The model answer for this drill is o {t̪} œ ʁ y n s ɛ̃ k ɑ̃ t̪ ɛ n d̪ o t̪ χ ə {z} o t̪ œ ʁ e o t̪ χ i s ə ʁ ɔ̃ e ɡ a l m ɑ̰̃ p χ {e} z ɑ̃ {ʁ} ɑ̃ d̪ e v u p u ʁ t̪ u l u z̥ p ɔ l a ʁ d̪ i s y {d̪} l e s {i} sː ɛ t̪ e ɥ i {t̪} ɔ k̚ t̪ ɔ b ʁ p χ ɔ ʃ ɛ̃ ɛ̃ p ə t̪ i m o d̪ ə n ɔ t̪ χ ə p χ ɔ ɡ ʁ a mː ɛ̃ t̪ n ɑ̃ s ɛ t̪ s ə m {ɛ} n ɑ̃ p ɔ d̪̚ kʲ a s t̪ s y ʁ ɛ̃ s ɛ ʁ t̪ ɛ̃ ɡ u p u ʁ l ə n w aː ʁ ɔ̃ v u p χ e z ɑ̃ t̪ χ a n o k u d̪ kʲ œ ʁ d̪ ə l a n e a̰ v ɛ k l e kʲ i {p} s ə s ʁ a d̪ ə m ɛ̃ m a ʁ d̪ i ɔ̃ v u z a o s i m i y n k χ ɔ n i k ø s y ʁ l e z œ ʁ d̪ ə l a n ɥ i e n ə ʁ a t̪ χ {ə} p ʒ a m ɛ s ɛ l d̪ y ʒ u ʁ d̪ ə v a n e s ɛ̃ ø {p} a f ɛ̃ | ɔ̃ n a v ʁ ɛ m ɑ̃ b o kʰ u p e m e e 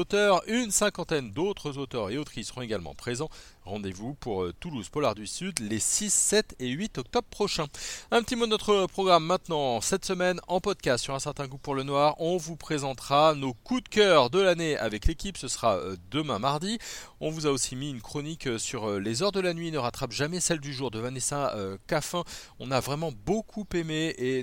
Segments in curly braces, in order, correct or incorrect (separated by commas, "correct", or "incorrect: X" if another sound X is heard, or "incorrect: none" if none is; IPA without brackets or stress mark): correct, correct, correct, correct, correct, correct, correct, correct, correct, incorrect: a, incorrect: k